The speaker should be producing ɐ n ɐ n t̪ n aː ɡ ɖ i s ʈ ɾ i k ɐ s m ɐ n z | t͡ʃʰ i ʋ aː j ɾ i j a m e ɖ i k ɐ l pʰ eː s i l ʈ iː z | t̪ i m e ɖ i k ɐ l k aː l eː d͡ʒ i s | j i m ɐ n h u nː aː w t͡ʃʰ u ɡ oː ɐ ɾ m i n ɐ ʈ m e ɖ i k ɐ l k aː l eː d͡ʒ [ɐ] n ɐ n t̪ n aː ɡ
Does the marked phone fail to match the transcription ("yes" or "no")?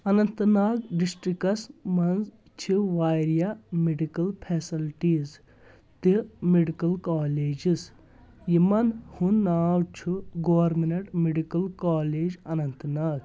no